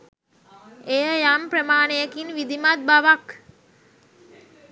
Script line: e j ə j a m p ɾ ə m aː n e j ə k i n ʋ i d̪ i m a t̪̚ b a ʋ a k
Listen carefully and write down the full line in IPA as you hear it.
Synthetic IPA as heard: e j ə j a m p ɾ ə m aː n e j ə k i n ʋ i d̪ i m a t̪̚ b a ʋ a k